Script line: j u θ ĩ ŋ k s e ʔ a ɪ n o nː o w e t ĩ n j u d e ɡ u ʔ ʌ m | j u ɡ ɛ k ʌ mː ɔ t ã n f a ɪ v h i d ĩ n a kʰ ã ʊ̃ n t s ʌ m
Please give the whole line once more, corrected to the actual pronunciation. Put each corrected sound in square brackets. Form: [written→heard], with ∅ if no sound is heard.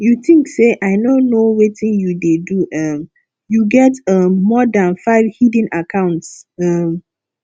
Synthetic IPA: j u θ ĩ ŋ k s e ʔ a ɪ n o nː o w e t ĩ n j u d e [ɡ→d] u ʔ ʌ m | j u ɡ ɛ [k→t] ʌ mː ɔ [t→d] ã n f a ɪ v h i d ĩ n a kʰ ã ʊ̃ n t s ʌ m

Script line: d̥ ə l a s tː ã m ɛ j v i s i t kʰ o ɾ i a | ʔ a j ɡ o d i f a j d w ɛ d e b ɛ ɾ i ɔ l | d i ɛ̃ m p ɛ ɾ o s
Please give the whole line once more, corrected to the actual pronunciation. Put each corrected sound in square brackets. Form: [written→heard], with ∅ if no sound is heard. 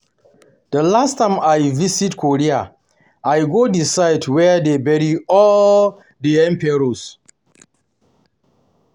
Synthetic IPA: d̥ ə l a s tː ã m [ɛ→a] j v i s i t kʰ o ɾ i a | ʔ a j ɡ o d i [f→s] a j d w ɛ d e b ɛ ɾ i ɔ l | d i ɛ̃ m p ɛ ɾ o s

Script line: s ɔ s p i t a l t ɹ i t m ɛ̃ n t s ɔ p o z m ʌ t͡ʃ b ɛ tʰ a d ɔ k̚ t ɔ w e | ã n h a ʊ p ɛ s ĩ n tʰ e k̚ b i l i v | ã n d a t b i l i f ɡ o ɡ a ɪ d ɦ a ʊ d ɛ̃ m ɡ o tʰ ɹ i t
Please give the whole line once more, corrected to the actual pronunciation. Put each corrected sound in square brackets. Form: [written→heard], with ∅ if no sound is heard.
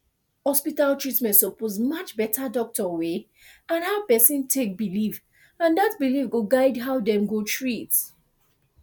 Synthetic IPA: [s→h] ɔ s p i t a l t ɹ i t m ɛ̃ n t s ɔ p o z m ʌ t͡ʃ b ɛ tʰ a d ɔ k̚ t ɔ w e | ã n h a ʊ p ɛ s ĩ n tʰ e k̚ b i l i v | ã n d a t b i l i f ɡ o ɡ a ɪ d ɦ a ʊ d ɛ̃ m ɡ o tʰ ɹ i t

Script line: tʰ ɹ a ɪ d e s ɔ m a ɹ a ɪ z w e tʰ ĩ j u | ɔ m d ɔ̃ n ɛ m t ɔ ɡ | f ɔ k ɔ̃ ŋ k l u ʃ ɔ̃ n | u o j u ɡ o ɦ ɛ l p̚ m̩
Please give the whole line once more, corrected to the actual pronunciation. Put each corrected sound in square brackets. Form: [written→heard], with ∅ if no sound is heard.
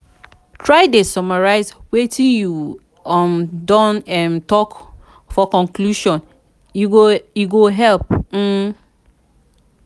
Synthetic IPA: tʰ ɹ a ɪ d e s ɔ m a ɹ a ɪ z w e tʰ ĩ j u | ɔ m d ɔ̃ n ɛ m t ɔ [ɡ→k] | f ɔ k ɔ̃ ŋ k l u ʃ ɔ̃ n | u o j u ɡ o ɦ ɛ l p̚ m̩

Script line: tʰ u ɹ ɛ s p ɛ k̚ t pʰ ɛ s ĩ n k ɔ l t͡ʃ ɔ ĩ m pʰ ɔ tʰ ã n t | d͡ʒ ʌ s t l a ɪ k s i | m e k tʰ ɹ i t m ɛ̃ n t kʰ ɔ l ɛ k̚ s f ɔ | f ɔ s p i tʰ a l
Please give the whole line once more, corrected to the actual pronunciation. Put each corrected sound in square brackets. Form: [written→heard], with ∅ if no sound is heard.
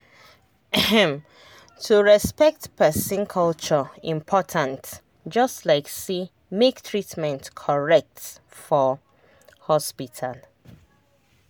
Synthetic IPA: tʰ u ɹ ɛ s p ɛ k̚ t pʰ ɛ s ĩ n [k→kʰ] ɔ l t͡ʃ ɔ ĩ m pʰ ɔ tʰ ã n t | d͡ʒ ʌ s t l a ɪ k s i | m e k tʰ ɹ i t m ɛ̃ n t kʰ ɔ [l→ɹ] ɛ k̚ [s→t] f ɔ | [f→h] ɔ s p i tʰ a l

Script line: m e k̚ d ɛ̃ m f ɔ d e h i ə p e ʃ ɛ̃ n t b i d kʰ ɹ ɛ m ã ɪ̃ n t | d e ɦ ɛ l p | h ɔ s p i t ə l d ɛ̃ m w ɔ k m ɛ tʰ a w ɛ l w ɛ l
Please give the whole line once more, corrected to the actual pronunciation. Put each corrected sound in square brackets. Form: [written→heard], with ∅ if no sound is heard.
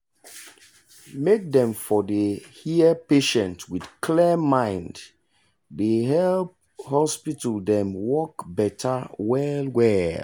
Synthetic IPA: m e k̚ d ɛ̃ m f ɔ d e h i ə p e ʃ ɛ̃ n t [b→w] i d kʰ [ɹ→l] ɛ m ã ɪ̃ n [t→d] | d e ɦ ɛ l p | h ɔ s p i t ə l d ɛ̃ m w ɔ k [m→b] ɛ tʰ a w ɛ l w ɛ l

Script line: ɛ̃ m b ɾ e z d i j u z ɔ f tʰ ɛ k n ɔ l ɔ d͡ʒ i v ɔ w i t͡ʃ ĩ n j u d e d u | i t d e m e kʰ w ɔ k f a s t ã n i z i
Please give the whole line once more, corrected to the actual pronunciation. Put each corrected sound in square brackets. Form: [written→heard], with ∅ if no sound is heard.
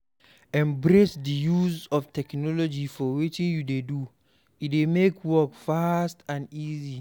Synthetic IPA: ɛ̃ m b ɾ e [z→s] d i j u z ɔ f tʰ ɛ k n ɔ l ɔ d͡ʒ i [v→f] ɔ w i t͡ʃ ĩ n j u d e d u | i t d e m e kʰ w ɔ k f a s t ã n i z i

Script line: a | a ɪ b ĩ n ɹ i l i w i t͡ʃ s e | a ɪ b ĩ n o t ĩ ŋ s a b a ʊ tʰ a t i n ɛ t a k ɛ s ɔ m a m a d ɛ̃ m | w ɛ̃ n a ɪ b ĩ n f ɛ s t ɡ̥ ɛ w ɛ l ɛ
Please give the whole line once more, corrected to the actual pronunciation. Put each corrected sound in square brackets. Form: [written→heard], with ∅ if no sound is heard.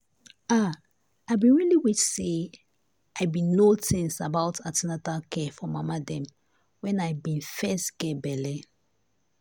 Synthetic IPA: a | a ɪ b ĩ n ɹ i l i w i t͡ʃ s e | a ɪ b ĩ n o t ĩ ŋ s a b a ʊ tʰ a t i n [ɛ→a] t a k ɛ [s→f] ɔ m a m a d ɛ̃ m | w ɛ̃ n a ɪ b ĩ n f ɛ s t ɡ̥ ɛ [w→b] ɛ l ɛ

